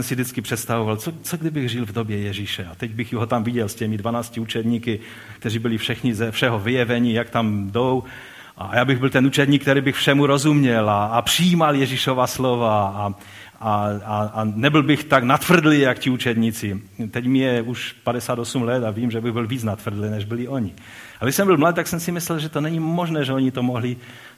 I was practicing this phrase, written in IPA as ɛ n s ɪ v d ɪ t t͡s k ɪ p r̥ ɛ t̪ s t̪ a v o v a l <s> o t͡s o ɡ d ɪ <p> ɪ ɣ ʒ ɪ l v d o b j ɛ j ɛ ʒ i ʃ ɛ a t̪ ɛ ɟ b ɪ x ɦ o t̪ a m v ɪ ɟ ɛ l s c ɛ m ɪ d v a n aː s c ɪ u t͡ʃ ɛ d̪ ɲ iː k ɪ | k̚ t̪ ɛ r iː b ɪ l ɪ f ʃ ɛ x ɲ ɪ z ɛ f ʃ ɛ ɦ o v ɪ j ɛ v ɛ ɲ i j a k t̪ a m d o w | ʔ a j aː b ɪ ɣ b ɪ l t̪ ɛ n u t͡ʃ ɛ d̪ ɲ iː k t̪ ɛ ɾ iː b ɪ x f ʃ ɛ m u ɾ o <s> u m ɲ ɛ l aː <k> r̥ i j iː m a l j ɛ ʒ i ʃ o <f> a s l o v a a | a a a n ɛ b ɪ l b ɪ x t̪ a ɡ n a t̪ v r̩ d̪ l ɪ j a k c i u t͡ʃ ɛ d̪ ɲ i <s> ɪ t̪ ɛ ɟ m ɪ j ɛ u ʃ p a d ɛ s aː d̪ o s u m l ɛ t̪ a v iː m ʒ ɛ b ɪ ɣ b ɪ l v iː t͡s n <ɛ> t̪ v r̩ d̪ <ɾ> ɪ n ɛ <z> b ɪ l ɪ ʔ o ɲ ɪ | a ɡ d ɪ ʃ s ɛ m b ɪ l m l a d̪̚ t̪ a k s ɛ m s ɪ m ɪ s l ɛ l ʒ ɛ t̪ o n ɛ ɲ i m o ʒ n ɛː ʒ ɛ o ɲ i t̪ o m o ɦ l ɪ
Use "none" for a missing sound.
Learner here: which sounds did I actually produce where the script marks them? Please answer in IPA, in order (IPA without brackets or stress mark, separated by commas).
t͡s, b, z, p, v, t͡s, a, l, ʒ